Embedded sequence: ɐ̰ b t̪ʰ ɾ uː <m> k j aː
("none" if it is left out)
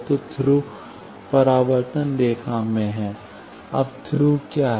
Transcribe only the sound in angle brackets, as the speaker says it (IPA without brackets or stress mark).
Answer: none